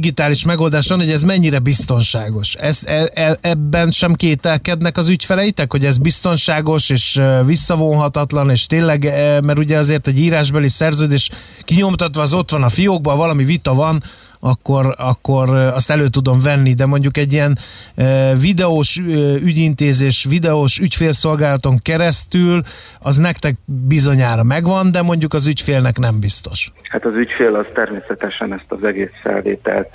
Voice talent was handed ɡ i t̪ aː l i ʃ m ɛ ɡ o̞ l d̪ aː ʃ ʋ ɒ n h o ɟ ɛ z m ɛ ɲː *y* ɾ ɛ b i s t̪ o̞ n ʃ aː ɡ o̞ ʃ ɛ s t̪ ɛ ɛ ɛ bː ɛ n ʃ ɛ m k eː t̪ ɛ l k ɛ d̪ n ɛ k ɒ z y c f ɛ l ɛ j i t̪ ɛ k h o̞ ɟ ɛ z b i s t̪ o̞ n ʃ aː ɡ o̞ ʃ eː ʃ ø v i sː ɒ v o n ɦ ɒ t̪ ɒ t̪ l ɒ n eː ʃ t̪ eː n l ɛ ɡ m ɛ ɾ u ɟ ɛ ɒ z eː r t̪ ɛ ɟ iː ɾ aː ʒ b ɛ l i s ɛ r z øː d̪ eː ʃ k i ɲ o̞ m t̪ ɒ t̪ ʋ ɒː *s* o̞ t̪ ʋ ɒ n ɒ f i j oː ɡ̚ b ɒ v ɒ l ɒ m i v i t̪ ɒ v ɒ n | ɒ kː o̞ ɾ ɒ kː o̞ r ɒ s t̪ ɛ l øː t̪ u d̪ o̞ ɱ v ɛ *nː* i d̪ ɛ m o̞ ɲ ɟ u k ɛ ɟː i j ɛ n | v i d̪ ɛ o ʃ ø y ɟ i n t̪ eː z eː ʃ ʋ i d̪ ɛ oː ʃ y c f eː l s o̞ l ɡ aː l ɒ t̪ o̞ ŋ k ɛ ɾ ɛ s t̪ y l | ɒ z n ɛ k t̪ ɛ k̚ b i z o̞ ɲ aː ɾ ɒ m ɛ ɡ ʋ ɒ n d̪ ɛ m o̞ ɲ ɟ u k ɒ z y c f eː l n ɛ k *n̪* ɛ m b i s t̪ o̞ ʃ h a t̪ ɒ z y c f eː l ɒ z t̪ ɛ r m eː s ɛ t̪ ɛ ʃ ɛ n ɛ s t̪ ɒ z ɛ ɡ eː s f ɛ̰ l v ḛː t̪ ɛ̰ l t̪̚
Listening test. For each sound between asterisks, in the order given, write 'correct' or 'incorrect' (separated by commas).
incorrect, incorrect, correct, correct